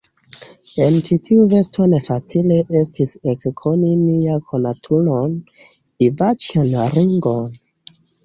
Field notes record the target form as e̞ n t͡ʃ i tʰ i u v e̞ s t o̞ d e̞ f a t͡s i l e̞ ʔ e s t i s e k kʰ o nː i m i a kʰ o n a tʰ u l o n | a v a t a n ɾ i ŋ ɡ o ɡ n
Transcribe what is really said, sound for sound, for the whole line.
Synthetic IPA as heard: e̞ n t͡ʃ i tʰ i u v e̞ s t o̞ n e̞ f a t͡s i l e̞ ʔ e s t i s e k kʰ o n i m i a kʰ o n a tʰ u l o n | i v a t͡ʃ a n ɾ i ŋ ɡ o n